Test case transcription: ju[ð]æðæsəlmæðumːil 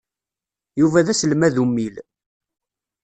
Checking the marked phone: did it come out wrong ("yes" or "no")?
yes